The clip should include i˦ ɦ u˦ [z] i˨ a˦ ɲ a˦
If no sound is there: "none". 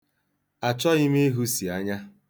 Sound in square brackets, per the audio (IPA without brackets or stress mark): s